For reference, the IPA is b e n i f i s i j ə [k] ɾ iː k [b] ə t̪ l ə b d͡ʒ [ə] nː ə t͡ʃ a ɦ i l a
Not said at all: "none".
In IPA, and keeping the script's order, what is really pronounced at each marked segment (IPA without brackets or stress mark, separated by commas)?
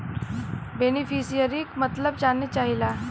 none, m, a